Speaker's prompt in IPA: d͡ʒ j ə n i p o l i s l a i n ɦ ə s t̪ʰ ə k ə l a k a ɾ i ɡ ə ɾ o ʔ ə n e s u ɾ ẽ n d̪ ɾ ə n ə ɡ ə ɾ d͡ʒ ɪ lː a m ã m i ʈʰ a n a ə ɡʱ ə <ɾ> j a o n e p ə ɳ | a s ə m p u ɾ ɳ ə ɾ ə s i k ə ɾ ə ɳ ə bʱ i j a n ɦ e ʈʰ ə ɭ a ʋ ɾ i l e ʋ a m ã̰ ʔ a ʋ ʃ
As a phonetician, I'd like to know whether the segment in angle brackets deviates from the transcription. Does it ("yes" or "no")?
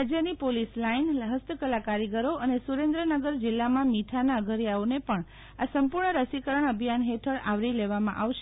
no